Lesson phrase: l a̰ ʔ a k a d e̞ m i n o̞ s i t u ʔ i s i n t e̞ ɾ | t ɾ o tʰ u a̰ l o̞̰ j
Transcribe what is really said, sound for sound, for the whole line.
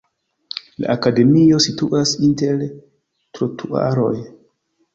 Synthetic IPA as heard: l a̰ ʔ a k a d e̞ m i o̞ s i t u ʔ a s i n t e̞ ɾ | t ɾ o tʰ u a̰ ɾ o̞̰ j